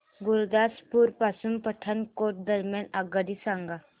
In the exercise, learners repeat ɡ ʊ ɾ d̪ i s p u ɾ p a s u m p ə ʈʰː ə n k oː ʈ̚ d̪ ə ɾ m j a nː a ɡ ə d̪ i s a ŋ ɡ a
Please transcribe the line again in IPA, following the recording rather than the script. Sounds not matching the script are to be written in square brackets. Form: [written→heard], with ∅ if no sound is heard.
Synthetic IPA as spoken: ɡ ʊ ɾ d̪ [i→a] s p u ɾ p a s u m p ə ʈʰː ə n k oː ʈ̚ d̪ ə ɾ m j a [nː→n] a ɡ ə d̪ i s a ŋ ɡ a